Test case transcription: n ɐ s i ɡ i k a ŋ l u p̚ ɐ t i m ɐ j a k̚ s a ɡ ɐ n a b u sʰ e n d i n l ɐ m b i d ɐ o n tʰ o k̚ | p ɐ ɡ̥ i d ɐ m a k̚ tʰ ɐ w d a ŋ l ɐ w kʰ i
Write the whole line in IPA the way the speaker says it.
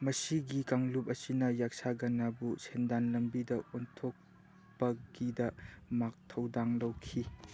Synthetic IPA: m ɐ s i ɡ i k a ŋ l u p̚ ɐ s i n ɐ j a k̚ s a ɡ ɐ n a b u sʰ e n d a n l ɐ m b i d ɐ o n tʰ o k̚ | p ɐ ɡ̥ i d ɐ m a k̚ tʰ ɐ w d a ŋ l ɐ w kʰ i